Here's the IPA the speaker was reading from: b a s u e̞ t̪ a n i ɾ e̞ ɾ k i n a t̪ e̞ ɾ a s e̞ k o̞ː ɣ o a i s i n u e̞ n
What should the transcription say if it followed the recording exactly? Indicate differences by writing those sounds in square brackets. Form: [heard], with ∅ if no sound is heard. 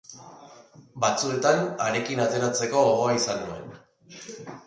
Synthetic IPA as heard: b a [t͡s] u e̞ t̪ a n [a] ɾ e̞ [∅] k i n a t̪ e̞ ɾ a [t͡s] e̞ k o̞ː ɣ o a i s [a] n u e̞ n